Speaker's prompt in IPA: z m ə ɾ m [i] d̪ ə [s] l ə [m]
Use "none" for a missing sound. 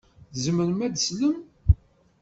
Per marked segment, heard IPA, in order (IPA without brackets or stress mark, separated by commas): æ, s, m